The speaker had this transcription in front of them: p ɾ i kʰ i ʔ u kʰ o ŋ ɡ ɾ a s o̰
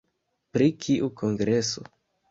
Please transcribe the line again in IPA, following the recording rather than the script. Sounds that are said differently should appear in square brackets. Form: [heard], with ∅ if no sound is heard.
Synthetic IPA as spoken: p ɾ i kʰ i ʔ u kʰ o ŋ ɡ ɾ [e] s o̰

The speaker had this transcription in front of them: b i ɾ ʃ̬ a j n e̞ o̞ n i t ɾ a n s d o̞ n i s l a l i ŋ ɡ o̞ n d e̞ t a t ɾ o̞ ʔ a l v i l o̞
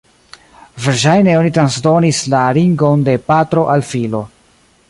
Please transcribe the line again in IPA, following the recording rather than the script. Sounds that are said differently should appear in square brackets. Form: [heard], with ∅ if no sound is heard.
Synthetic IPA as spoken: [v] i ɾ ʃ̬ a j n e̞ o̞ n i t ɾ a n s d o̞ n i s l a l i ŋ ɡ o̞ n d e̞ [p] a t ɾ o̞ ʔ a l [f] i l o̞

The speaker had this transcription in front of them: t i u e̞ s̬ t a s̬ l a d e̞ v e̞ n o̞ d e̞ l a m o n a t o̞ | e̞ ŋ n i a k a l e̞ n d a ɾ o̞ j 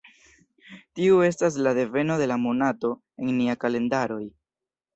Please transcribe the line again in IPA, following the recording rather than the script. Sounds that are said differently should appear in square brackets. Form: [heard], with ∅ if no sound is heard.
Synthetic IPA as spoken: t i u e̞ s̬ t a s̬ l a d e̞ v e̞ n o̞ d e̞ l a m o n a t o̞ | e̞ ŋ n i a k a l e̞ n d a ɾ o̞ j

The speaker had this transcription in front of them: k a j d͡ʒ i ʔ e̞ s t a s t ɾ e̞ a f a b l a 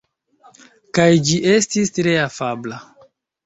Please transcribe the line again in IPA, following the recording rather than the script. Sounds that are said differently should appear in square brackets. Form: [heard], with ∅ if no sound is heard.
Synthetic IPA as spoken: k a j d͡ʒ i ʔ e̞ s t [i] s t ɾ e̞ a f a b l a

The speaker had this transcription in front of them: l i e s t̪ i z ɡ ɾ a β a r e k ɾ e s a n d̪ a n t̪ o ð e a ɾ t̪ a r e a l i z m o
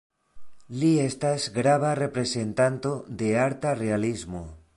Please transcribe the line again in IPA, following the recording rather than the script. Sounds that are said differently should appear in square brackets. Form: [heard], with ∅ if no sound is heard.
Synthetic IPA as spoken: l i e s t̪ [a] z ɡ ɾ a β a r e [p] ɾ e s [e] n [t̪] a n t̪ o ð e a ɾ t̪ a r e a l i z m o

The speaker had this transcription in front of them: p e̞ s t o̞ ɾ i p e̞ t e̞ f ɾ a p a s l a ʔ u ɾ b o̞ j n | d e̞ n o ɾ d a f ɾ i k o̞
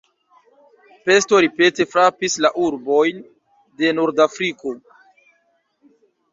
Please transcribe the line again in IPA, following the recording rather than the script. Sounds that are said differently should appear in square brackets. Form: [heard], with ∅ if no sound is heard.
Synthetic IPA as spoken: p e̞ s t o̞ ɾ i p e̞ t e̞ f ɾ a p [i] s l a ʔ u ɾ b o̞ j n | d e̞ n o ɾ d a f ɾ i k o̞

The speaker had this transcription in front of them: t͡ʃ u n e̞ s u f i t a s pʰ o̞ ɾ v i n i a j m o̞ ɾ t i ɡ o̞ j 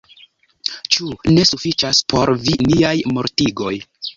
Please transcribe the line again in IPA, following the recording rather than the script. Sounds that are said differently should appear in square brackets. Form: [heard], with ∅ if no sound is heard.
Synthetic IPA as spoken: t͡ʃ u n e̞ s u f i [t͡ʃ] a s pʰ o̞ ɾ v i n i a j m o̞ ɾ t i ɡ o̞ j

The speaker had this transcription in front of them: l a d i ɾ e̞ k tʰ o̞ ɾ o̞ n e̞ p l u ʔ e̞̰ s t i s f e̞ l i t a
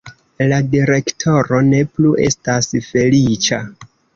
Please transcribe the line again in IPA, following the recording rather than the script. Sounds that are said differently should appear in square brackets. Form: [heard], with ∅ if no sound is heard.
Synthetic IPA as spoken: l a d i ɾ e̞ k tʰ o̞ ɾ o̞ n e̞ p l u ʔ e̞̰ s t [a] s f e̞ l i [t͡ʃ] a

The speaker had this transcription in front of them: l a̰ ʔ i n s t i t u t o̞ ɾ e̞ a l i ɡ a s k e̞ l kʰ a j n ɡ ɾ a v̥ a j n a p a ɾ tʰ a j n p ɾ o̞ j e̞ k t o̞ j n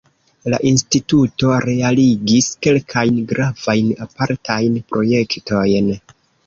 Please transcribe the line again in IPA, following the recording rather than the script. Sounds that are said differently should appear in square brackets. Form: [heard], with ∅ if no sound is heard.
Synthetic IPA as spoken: l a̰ ʔ i n s t i t u t o̞ ɾ e̞ a l i ɡ [i] s k e̞ l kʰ a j n ɡ ɾ a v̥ a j n a p a ɾ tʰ a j n p ɾ o̞ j e̞ k t o̞ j n

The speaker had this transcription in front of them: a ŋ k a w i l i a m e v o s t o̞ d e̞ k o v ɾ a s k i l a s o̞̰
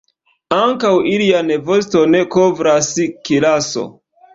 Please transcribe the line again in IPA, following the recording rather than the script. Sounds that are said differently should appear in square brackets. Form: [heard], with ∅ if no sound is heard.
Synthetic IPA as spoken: a ŋ k a w i l i a [n] e v o s t o̞ [n] e̞ k o v ɾ a s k i l a s o̞̰

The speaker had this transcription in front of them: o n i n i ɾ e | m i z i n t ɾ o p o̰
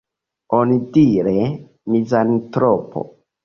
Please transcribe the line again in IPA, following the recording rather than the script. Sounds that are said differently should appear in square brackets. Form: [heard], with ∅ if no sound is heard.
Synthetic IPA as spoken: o n i [d] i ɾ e | m i z [a] n t ɾ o p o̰

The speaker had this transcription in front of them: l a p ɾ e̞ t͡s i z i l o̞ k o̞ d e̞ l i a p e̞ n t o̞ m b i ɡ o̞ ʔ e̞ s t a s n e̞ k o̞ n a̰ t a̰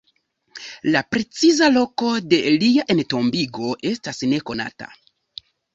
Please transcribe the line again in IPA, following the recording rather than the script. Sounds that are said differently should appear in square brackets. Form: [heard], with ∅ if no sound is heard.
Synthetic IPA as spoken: l a p ɾ e̞ t͡s i z [a] l o̞ k o̞ d e̞ l i a [ʔ] e̞ n t o̞ m b i ɡ o̞ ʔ e̞ s t a s n e̞ k o̞ n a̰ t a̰

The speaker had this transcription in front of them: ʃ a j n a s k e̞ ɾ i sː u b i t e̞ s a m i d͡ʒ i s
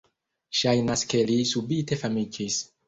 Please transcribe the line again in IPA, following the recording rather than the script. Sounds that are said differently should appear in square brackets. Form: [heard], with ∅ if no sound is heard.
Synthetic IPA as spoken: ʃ a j n a s k e̞ [l] i [s] u b i t e̞ [f] a m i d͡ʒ i s

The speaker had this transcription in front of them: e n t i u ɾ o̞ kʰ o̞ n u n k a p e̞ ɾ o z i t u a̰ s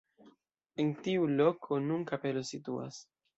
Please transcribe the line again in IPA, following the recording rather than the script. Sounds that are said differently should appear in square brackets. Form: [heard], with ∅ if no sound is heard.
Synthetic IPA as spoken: e n t i u [l] o̞ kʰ o̞ n u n k a p e̞ [l] o [s] i t u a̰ s

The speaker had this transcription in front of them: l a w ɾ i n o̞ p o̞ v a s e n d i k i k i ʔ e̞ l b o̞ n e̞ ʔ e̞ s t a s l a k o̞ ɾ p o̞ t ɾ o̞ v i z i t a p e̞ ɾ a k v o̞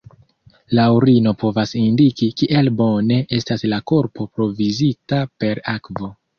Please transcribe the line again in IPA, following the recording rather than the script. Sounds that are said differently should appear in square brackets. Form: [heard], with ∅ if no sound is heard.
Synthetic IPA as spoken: l a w ɾ i n o̞ p o̞ v a s [i] n d i k i k i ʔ e̞ l b o̞ n e̞ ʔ e̞ s t a s l a k o̞ ɾ p o̞ [p] ɾ o̞ v i z i t a p e̞ ɾ a k v o̞

